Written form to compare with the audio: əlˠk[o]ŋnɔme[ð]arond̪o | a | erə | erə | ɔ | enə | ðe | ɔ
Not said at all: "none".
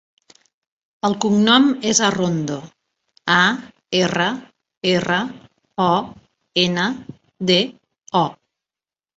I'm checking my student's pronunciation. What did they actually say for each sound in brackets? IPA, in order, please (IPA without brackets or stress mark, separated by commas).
u, z